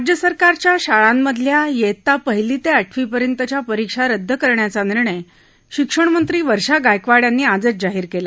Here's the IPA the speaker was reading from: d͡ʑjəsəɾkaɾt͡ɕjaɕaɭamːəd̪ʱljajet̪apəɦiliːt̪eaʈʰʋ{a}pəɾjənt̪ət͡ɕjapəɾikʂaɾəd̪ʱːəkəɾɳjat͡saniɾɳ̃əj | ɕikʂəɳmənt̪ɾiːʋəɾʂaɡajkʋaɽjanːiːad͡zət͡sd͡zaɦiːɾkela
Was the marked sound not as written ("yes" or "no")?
yes